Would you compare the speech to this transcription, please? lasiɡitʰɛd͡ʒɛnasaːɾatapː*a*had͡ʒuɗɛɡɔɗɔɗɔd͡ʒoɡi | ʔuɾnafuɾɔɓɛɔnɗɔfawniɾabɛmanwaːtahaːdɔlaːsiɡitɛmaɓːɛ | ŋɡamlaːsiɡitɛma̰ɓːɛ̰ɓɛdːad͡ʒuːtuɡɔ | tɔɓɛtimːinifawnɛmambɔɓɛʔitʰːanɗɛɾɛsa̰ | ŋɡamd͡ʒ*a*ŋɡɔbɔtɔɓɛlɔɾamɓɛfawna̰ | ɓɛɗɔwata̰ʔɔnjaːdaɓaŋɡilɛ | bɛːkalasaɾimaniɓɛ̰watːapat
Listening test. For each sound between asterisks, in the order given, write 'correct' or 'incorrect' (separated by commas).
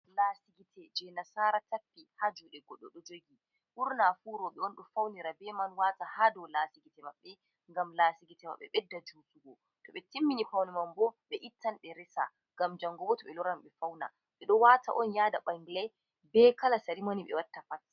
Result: incorrect, correct